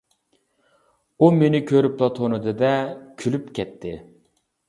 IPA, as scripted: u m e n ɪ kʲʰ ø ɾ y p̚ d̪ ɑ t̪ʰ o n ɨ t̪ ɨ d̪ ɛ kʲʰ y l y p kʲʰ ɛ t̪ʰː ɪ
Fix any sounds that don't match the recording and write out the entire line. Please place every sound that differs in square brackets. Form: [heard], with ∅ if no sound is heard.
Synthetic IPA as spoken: u m e n ɪ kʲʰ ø ɾ y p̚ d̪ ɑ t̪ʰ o n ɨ [d̪] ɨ d̪ ɛ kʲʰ y l y p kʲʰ ɛ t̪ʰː ɪ